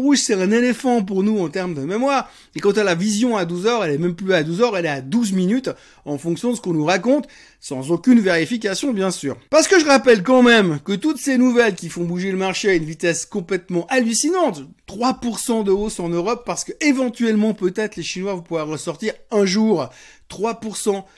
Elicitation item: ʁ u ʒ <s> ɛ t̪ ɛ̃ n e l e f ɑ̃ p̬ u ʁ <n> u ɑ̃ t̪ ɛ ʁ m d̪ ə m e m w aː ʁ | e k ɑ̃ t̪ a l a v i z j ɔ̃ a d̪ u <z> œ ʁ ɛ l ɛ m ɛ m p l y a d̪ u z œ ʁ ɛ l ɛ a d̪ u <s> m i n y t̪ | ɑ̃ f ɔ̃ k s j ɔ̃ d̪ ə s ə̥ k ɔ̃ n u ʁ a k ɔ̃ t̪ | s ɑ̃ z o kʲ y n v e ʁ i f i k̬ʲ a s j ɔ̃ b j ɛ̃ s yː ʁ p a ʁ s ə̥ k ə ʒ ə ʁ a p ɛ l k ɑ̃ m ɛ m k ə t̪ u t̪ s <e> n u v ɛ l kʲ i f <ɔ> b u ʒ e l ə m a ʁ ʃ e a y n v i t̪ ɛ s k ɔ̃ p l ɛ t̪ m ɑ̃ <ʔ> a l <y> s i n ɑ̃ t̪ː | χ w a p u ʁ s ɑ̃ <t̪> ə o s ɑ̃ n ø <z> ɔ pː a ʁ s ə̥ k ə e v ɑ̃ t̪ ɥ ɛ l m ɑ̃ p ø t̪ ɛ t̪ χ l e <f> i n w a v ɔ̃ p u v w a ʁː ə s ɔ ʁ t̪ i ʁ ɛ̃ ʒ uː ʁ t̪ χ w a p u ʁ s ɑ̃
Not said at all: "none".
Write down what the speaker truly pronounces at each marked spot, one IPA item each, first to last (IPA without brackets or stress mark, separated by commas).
s, n, z, z, e, ɔ̃, ʔ, y, d̪, ʁ, ʃ